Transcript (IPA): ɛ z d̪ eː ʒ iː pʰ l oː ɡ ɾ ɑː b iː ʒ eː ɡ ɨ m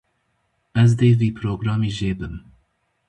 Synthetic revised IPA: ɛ z d̪ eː v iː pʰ ɾ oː ɡ ɾ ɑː m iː ʒ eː b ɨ m